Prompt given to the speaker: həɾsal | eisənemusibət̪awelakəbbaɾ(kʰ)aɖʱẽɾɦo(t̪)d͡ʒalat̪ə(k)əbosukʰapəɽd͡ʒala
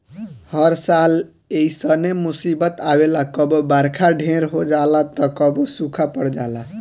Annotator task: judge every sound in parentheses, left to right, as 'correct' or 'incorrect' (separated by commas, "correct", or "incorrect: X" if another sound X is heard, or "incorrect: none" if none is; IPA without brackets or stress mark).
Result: correct, incorrect: none, correct